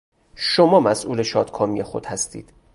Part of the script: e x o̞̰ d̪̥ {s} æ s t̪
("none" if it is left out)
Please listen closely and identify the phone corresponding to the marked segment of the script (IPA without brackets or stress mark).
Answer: h